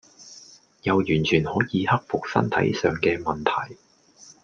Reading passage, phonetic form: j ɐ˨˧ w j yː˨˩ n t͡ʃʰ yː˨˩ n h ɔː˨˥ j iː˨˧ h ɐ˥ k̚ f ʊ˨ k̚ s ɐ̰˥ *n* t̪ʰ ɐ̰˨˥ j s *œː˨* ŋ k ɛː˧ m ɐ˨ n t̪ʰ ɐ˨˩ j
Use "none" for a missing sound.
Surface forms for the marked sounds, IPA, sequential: n, œː˨

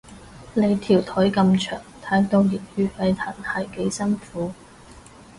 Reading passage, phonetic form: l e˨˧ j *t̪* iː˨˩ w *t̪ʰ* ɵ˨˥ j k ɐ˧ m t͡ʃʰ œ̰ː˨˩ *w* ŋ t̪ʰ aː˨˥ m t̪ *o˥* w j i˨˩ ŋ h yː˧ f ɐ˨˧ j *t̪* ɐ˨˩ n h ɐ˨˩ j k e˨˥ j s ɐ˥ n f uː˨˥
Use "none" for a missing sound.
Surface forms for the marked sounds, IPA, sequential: t̪ʰ, t̪ʰ, none, o˧, t̪ʰ

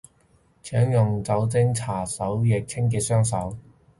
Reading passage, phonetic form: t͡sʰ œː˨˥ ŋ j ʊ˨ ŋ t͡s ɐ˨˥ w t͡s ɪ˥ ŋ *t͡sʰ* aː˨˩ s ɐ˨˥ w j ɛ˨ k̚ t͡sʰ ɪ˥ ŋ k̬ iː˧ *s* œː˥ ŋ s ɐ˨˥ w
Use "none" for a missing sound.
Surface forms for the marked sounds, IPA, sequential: t͡sʰ, s

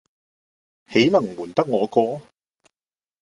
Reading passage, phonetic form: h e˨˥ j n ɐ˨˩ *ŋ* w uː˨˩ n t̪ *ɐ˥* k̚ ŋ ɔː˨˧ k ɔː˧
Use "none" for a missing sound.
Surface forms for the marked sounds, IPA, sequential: ŋ, ɐ˥

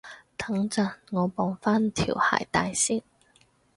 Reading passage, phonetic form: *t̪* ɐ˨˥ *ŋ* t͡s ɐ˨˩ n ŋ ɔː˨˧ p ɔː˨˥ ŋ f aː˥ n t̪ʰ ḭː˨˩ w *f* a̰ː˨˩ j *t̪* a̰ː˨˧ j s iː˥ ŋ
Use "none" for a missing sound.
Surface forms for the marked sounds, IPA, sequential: t̪ʰ, ŋ, h, t̪

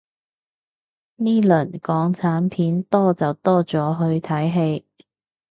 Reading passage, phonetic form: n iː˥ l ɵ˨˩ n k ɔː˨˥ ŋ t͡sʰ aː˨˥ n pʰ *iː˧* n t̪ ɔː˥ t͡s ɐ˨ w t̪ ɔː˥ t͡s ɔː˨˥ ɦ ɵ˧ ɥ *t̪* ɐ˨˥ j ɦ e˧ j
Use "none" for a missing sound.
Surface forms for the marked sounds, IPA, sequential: iː˨˥, t̪ʰ

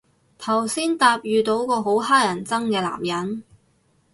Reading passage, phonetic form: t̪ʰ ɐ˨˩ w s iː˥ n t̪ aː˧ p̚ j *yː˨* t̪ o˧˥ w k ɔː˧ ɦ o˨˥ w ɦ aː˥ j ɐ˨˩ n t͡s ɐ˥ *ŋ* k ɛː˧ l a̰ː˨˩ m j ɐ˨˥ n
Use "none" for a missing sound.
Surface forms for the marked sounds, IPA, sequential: yː˨, ŋ

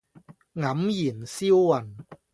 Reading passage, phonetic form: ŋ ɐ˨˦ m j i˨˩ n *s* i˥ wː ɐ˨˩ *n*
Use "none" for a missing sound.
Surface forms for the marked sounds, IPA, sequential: s, n

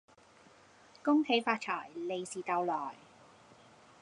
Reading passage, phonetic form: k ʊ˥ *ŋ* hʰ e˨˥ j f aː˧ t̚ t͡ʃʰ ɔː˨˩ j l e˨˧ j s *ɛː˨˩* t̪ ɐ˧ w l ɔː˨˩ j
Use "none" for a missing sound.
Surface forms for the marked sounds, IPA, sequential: ŋ, iː˨˩

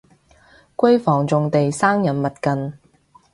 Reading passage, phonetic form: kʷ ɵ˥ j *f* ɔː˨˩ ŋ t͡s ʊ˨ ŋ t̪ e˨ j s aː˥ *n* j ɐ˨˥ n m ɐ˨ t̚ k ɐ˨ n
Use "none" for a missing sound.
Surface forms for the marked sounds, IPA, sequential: f, ŋ

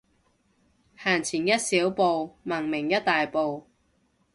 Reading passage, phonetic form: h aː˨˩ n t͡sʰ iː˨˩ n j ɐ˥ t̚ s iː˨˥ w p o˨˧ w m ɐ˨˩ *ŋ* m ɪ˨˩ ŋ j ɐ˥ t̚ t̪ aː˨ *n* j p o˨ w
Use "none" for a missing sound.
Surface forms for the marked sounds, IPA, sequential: ŋ, none

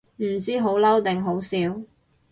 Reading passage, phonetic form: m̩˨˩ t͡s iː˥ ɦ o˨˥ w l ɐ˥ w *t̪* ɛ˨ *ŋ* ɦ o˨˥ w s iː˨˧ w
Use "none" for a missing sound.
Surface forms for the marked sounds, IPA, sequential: t̪, ŋ

